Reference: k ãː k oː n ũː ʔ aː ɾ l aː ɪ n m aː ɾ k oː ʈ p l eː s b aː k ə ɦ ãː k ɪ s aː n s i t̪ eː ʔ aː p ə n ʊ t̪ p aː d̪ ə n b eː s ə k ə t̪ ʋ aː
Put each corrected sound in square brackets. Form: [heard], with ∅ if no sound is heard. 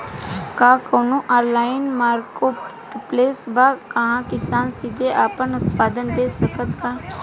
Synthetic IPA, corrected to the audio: k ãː k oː n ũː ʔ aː ɾ l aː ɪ n m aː ɾ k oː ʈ p l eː s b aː k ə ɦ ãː k ɪ s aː n s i [d̪] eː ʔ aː p ə n ʊ t̪ p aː d̪ ə n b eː s ə k ə t̪ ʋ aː